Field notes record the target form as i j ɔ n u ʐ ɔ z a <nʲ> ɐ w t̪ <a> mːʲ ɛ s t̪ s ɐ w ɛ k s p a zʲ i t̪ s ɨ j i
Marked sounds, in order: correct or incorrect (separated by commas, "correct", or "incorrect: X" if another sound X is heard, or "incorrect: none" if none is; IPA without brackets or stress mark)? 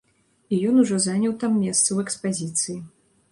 correct, correct